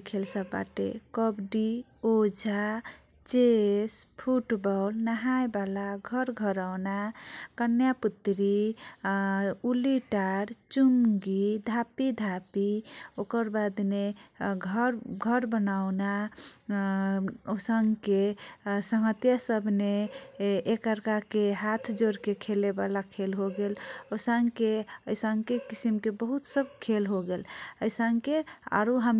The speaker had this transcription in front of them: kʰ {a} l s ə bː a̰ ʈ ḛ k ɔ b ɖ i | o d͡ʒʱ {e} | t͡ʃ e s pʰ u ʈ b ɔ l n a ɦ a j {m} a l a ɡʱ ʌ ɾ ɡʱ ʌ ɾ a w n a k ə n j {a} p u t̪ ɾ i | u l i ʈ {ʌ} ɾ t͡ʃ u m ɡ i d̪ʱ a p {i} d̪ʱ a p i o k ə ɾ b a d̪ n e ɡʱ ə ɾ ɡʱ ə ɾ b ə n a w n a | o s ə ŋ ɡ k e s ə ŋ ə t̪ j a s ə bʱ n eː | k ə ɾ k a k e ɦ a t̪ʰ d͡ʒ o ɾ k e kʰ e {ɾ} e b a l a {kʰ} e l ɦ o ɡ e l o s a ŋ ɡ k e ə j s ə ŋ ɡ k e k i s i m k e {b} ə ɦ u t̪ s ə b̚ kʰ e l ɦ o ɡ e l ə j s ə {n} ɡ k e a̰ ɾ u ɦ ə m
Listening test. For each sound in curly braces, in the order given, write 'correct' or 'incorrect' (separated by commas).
incorrect, incorrect, incorrect, correct, incorrect, correct, incorrect, correct, correct, incorrect